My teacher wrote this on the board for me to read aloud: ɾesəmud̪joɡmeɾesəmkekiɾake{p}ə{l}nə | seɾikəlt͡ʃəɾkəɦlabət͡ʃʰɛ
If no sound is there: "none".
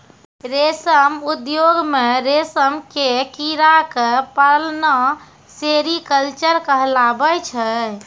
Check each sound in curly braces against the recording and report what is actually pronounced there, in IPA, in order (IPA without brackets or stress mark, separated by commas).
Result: p, l